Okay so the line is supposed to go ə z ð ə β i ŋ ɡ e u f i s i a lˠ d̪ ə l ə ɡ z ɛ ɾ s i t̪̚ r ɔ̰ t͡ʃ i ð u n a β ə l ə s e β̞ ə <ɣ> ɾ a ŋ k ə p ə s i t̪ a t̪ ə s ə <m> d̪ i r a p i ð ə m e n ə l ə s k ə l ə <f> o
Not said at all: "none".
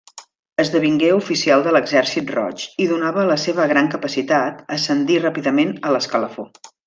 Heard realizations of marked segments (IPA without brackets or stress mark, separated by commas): ɣ, n, f